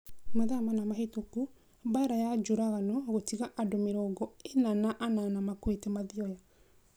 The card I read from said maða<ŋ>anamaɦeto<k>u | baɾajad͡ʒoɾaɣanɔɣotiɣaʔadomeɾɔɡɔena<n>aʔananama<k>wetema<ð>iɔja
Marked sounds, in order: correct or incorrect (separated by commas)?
incorrect, correct, correct, correct, correct